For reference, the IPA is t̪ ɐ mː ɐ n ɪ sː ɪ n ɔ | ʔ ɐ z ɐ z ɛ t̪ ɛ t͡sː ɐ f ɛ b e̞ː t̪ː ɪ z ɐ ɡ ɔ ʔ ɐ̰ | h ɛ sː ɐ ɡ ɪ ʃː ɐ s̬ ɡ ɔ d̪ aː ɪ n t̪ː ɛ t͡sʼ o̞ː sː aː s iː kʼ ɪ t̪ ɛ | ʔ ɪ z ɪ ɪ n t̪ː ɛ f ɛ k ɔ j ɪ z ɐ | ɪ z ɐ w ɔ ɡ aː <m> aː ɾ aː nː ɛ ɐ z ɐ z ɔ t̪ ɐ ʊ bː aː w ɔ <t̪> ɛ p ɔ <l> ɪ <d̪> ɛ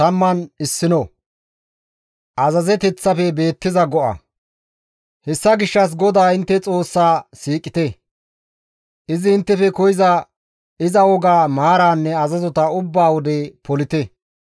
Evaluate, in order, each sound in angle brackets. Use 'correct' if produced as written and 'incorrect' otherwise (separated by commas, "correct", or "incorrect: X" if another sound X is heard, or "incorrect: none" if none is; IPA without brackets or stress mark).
correct, incorrect: d̪, correct, incorrect: t̪